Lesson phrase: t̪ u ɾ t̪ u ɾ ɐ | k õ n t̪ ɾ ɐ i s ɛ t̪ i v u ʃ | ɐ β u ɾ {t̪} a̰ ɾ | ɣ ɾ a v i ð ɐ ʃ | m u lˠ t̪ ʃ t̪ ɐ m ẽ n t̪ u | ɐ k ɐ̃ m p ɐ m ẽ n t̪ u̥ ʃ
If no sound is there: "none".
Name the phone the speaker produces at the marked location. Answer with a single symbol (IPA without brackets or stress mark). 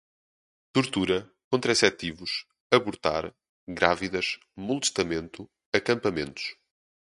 t̪